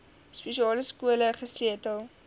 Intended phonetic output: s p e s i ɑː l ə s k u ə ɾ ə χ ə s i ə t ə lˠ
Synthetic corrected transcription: s p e ʃ i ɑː l ə s k u ə l ə χ ə s i ə t ə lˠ